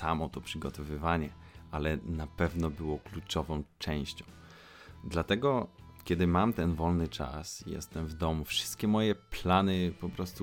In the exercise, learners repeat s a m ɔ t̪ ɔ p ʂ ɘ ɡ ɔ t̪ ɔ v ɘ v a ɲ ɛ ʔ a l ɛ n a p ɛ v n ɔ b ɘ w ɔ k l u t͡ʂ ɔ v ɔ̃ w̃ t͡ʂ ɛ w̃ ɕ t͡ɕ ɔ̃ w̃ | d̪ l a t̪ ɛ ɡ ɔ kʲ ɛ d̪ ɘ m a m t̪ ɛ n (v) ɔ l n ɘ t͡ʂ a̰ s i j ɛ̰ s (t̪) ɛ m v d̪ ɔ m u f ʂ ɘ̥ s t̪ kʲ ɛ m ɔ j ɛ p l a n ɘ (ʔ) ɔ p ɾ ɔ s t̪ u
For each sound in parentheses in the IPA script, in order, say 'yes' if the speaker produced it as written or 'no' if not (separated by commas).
yes, yes, no